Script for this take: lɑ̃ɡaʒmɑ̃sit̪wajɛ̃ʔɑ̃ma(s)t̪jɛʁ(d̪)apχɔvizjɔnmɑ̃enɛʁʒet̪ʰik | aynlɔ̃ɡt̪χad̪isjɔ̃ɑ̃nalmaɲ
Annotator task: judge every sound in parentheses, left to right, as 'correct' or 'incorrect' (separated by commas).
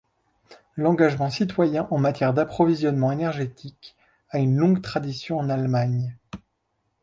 incorrect, correct